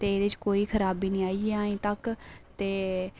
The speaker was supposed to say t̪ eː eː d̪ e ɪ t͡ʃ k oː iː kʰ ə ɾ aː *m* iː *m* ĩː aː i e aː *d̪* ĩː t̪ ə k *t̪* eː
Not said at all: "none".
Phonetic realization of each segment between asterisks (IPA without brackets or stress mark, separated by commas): b, n, none, t̪